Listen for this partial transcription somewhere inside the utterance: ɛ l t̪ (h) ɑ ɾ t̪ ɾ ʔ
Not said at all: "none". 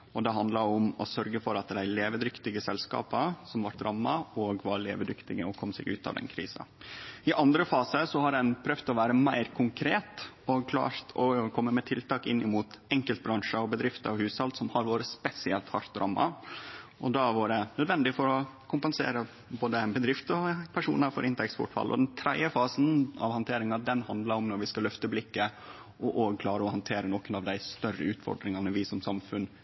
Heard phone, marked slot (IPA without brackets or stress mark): h